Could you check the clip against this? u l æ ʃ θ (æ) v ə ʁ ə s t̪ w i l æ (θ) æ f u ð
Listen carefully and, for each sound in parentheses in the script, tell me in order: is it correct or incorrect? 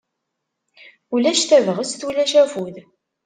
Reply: correct, incorrect: ʃ

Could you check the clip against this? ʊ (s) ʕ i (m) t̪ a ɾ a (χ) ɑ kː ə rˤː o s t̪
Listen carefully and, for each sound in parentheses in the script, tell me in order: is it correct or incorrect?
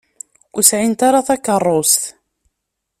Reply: correct, incorrect: n, incorrect: θ

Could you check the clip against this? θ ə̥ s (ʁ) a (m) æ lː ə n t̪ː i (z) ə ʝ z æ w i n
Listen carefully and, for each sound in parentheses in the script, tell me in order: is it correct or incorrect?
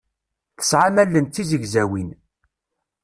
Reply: incorrect: ʕ, correct, correct

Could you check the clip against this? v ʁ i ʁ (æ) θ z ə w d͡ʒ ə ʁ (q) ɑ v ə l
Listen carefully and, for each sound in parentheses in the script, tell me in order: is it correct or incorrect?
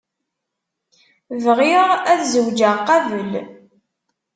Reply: correct, correct

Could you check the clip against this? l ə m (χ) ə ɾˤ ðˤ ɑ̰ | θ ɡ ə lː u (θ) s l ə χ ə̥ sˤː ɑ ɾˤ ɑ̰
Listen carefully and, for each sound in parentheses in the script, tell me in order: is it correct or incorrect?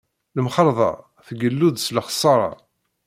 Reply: correct, incorrect: ð

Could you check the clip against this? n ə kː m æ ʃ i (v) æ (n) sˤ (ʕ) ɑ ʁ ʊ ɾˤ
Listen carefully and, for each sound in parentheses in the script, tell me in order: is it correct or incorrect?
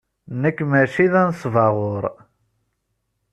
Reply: incorrect: ð, correct, incorrect: v

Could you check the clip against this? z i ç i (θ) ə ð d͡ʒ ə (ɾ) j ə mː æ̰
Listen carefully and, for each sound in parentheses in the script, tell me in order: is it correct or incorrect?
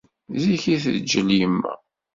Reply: correct, incorrect: l

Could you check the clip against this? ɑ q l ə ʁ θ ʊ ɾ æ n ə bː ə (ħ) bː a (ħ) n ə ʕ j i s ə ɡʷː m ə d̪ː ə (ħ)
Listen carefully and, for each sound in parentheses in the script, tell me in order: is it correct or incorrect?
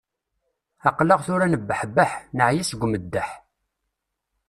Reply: correct, correct, correct

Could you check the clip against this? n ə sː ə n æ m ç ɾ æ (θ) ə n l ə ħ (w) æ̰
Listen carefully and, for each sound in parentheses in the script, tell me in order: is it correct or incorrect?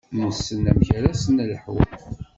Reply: incorrect: s, correct

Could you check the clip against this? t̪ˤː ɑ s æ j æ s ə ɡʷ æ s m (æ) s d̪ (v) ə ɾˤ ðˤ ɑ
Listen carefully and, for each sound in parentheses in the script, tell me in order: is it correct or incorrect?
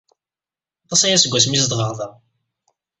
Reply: incorrect: i, incorrect: ʁ

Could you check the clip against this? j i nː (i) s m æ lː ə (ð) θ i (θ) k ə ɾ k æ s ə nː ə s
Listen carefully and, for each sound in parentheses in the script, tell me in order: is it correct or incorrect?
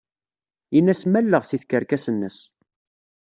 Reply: incorrect: æ, incorrect: ʁ, correct

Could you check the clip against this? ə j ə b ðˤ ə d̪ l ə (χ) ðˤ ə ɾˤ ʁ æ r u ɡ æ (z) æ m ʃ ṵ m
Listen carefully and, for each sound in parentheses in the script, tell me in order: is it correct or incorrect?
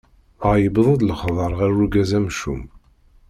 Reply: correct, correct

